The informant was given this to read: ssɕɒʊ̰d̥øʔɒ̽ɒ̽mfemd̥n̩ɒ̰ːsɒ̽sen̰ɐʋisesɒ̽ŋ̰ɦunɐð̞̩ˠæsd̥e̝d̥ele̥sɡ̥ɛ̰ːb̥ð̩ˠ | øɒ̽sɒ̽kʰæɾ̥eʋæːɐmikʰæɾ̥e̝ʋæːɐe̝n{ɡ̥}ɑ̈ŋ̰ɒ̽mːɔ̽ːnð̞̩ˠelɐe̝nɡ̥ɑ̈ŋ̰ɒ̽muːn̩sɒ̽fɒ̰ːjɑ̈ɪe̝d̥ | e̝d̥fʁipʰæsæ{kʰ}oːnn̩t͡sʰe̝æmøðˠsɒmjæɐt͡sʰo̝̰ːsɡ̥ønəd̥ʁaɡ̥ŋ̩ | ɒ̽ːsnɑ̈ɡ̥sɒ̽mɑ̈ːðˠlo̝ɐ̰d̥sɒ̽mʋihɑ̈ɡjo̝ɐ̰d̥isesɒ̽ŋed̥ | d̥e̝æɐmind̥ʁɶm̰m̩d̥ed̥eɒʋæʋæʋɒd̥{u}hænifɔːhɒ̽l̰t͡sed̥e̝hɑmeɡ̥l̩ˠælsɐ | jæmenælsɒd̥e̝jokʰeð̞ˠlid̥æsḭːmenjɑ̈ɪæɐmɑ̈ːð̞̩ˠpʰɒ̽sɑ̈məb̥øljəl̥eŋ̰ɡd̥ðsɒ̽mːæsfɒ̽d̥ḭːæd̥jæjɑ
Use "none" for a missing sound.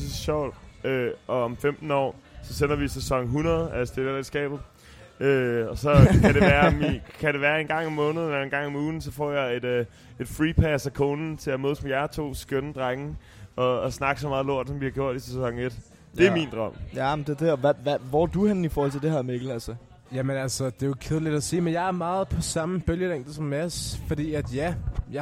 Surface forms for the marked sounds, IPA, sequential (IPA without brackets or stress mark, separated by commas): ɡ̥, kʰ, u